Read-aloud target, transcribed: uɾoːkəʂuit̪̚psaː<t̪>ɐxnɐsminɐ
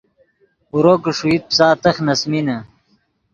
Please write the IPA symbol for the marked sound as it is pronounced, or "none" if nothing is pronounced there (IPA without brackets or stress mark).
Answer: t̪